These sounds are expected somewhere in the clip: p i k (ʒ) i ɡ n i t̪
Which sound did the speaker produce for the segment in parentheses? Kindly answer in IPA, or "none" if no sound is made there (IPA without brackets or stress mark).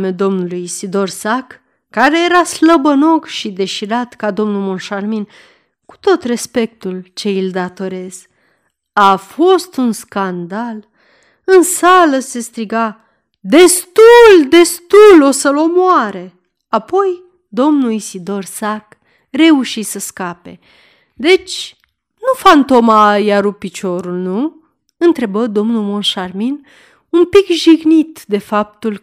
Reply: ʒ